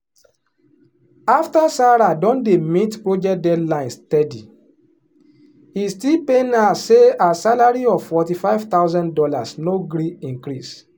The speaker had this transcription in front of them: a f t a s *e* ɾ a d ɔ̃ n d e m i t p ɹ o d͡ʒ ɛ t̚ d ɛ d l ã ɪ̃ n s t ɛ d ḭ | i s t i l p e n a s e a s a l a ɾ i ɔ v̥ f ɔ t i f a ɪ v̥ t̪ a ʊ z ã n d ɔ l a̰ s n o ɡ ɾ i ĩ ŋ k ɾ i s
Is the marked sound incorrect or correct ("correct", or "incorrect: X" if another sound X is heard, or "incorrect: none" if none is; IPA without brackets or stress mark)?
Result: incorrect: a